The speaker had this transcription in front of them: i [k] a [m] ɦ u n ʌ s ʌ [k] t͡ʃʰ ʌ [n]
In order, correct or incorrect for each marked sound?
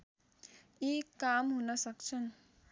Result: correct, correct, correct, correct

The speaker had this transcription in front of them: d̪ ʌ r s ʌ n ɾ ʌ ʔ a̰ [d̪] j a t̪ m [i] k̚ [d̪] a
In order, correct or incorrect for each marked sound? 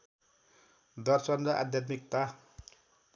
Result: correct, correct, incorrect: t̪

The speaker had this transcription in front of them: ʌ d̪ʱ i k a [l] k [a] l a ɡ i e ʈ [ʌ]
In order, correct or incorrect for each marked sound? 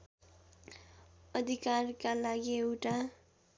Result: incorrect: r, correct, incorrect: a

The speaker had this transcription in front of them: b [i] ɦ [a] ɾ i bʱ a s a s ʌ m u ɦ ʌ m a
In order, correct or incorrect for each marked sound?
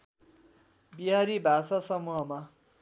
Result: correct, correct

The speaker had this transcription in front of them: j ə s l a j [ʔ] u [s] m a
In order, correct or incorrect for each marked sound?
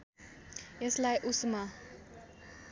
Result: correct, correct

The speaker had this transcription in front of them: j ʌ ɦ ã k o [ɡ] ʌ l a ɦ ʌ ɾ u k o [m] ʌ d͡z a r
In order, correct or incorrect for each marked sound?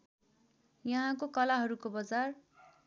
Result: incorrect: k, incorrect: b

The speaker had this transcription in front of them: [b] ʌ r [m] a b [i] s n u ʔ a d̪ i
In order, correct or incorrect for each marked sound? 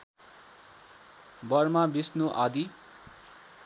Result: correct, correct, correct

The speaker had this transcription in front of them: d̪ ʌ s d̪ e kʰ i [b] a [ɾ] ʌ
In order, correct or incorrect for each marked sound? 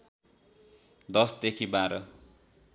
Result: correct, correct

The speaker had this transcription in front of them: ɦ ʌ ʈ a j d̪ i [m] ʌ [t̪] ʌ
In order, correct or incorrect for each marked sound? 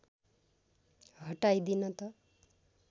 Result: incorrect: n, correct

